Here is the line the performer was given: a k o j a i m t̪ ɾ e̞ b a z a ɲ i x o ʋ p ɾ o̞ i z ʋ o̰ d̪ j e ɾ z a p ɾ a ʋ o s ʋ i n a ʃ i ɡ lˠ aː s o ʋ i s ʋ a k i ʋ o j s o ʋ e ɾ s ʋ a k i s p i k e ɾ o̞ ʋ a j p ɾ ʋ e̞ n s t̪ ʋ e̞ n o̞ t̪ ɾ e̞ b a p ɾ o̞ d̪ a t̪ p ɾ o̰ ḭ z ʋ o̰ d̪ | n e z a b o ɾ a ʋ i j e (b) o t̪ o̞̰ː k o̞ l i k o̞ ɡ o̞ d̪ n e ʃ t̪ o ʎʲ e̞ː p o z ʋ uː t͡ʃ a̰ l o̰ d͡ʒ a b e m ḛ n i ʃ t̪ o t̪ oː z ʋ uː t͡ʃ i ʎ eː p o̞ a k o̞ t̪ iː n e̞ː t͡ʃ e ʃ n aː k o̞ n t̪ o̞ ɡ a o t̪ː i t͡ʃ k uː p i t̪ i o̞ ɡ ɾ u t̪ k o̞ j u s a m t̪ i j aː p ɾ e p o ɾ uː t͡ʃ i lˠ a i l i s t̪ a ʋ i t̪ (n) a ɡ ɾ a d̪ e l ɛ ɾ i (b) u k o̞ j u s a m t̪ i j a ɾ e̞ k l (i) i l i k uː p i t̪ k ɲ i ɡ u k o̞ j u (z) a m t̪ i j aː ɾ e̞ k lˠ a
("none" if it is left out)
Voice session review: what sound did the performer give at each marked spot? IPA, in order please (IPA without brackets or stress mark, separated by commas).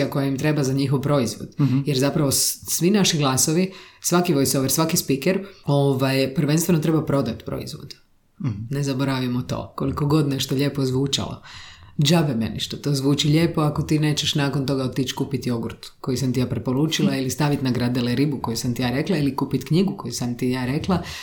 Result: m, n, b, a, s